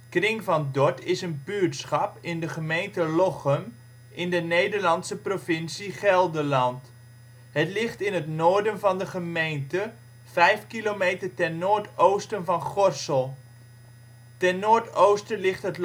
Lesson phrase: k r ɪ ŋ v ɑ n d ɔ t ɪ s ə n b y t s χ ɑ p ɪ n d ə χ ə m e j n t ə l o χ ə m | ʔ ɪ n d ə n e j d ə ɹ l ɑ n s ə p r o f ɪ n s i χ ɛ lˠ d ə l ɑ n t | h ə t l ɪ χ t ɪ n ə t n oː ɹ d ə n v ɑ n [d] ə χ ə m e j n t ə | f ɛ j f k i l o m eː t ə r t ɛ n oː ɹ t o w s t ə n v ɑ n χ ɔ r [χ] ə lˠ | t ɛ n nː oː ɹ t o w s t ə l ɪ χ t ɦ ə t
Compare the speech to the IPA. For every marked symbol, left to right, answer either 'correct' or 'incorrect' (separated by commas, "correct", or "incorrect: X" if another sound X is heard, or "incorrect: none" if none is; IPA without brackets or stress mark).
correct, incorrect: s